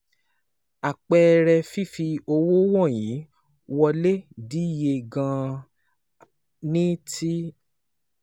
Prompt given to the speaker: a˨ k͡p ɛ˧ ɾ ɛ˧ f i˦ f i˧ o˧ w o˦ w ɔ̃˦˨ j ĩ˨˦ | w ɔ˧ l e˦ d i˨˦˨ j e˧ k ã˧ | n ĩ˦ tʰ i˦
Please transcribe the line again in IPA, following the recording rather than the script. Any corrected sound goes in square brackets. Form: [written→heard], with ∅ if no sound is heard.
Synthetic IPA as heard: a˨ k͡p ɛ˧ ɾ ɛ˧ f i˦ f i˧ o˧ w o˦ w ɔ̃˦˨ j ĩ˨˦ | w ɔ˧ l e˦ d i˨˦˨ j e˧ [k→ɡ] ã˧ | n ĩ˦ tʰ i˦